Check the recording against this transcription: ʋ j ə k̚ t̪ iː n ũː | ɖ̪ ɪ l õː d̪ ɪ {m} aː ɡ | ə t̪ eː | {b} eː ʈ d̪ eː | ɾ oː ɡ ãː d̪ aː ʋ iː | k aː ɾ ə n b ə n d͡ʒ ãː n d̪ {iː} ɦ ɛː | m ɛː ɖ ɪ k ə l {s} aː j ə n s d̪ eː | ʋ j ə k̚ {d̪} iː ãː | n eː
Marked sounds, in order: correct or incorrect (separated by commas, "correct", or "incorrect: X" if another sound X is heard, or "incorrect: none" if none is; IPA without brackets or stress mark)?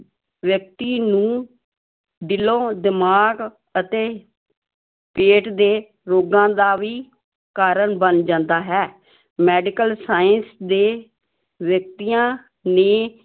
correct, incorrect: p, incorrect: aː, correct, incorrect: t̪